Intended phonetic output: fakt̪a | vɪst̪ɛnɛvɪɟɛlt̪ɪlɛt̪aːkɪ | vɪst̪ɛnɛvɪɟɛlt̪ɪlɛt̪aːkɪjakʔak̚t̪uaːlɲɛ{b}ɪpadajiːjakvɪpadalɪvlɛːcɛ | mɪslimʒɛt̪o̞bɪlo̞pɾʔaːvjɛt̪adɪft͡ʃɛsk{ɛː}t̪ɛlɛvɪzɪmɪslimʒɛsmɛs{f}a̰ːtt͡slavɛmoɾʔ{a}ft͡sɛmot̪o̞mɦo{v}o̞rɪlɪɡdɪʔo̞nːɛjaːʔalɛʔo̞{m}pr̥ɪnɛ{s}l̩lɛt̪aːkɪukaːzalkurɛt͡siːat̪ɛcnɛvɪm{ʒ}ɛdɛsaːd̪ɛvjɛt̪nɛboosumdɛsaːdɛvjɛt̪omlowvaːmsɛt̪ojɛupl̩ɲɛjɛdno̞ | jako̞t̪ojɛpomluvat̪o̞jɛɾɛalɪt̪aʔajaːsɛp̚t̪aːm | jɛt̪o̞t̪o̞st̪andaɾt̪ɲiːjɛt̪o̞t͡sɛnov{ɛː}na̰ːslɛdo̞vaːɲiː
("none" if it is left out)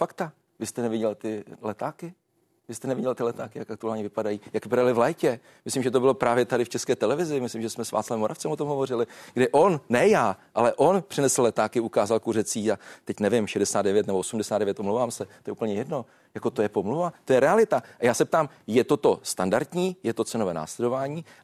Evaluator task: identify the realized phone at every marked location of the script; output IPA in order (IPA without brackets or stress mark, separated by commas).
v, ɛː, v, a, v, n, s, ʃ, ɛː